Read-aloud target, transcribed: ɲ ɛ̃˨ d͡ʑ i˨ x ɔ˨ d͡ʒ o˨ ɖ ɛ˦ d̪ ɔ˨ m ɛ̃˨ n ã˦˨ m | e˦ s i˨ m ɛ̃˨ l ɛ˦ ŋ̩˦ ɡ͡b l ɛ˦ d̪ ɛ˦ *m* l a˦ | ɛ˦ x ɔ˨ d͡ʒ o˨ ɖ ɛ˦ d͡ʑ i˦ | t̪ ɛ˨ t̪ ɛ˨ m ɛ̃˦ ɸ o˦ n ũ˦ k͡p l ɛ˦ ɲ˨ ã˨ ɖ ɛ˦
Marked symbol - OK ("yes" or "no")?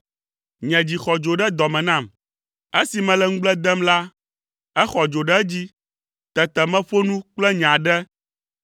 yes